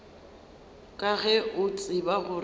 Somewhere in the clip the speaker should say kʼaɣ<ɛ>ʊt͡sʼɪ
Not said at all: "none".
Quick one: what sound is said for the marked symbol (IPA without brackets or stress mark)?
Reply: ɛ